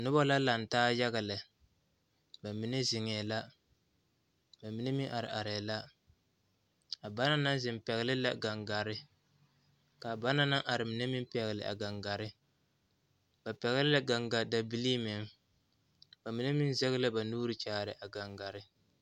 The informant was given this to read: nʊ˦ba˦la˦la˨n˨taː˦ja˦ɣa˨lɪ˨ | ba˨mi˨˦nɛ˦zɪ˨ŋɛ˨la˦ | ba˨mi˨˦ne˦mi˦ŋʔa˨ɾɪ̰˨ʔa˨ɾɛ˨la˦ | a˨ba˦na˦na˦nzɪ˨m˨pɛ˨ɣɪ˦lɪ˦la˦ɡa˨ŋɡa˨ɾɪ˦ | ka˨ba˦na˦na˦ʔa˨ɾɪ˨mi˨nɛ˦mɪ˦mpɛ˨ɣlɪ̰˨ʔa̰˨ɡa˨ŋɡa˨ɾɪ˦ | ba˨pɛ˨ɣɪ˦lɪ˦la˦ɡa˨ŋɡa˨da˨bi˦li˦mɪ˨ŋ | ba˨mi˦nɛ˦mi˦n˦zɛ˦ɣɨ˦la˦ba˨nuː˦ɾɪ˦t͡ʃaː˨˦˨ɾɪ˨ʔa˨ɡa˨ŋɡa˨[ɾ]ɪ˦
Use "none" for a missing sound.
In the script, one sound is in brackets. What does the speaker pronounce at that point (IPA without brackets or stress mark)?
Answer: ɾ